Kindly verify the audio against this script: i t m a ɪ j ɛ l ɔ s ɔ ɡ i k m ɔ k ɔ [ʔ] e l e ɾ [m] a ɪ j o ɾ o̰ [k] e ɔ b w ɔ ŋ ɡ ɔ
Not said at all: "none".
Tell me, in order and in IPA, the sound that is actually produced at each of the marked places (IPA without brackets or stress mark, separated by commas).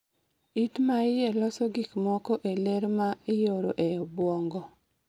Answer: ʔ, m, ʔ